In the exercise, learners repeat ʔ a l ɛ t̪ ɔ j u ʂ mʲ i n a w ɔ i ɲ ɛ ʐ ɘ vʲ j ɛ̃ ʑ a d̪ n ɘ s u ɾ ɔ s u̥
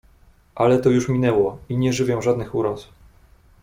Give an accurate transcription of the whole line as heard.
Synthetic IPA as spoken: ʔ a l ɛ t̪ ɔ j u ʂ mʲ i n ɛ w ɔ i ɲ ɛ ʐ ɘ vʲ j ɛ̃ ʐ a d̪ n ɘ x u ɾ ɔ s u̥